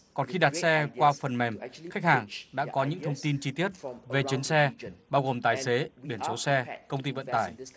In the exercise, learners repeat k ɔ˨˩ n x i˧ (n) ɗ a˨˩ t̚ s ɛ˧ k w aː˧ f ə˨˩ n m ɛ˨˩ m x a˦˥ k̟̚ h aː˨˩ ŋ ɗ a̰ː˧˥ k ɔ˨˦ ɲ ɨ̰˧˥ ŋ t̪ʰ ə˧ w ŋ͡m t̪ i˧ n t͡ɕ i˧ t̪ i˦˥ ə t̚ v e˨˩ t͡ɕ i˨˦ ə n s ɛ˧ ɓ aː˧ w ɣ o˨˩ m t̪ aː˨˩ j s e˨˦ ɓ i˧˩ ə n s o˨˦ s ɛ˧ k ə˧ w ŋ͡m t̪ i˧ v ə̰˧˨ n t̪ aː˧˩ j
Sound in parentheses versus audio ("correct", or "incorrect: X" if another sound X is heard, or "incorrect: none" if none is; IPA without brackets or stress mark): incorrect: none